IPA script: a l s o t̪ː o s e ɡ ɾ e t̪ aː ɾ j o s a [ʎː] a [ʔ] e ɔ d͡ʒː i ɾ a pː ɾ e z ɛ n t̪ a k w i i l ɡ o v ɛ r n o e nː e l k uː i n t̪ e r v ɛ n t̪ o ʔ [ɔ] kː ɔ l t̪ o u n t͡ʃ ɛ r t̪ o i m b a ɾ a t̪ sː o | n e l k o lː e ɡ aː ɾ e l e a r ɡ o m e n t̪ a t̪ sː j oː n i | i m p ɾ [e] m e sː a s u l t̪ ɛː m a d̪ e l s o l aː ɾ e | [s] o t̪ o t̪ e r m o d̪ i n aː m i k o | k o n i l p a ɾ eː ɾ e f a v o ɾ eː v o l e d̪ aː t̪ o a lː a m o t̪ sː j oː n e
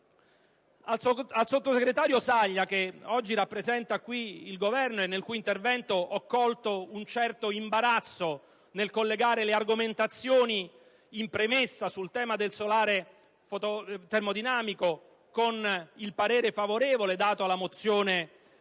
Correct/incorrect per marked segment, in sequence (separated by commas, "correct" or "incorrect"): correct, incorrect, correct, correct, incorrect